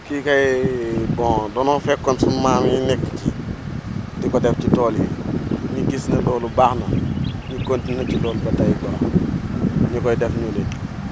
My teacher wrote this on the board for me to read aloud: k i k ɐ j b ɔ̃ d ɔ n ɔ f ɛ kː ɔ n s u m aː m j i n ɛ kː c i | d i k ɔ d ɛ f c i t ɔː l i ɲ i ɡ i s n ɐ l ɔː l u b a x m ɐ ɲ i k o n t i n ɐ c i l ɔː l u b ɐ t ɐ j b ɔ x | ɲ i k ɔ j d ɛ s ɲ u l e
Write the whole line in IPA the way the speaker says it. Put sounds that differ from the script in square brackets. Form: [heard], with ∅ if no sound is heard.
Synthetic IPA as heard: k i k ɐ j b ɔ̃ d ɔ n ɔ f ɛ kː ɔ n s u m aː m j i n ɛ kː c i | d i k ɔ d ɛ f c i t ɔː l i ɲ i ɡ i s n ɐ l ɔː l u b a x [n] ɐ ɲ i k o n t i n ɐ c i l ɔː l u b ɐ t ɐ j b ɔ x | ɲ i k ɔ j d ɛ [f] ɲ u l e